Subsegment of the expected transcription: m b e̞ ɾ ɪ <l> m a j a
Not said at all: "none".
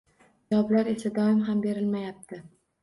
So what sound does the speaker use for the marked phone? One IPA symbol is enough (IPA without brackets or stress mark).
l